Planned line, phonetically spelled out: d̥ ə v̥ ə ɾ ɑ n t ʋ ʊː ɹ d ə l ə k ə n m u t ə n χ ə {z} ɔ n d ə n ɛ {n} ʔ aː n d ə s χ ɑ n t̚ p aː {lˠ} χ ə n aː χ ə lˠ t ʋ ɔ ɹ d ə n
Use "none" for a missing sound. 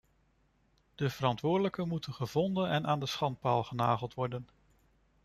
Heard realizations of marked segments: v, n, lˠ

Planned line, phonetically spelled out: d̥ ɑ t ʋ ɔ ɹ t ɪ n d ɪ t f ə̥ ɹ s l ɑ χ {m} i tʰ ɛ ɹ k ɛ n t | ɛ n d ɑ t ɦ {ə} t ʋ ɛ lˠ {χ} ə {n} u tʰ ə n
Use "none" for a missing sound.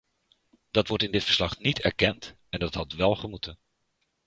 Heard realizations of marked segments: n, ɑ, χ, m

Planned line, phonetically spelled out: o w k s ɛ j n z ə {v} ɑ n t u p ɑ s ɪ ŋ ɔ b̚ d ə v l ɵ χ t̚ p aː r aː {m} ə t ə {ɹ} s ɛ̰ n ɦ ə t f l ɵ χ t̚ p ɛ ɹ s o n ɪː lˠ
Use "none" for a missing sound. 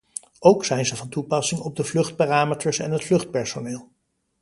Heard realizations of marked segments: v, m, ɹ

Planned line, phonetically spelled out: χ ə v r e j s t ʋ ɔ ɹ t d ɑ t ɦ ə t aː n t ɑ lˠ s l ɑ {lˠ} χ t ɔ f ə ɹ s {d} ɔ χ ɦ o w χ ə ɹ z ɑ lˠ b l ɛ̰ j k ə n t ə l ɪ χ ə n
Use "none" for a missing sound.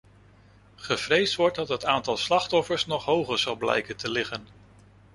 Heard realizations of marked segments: none, n

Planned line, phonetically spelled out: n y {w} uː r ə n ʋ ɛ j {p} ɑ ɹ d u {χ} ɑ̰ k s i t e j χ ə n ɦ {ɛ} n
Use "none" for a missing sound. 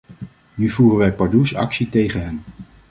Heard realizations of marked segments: v, p, s, ɛ

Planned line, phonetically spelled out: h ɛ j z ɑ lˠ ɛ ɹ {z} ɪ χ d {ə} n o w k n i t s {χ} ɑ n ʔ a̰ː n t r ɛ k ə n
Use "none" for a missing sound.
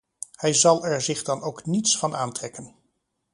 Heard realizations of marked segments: z, ɑ, f

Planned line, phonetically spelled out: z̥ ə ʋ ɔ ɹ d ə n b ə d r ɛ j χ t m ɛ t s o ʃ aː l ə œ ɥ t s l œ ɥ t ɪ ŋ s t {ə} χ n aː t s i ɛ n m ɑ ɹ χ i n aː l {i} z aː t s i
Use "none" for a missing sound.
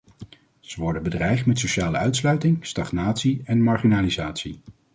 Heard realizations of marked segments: ɑ, i

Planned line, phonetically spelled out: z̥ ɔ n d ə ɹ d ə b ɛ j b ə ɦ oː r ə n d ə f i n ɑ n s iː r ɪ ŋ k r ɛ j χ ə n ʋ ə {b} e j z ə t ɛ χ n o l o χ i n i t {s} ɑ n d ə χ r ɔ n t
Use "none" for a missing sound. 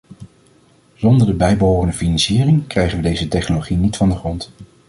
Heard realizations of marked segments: d, f

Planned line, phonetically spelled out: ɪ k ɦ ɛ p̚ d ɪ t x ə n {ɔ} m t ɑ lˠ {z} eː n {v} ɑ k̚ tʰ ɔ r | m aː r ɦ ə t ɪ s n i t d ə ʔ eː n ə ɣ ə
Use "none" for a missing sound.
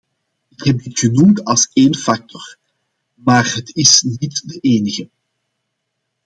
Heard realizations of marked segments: u, s, f

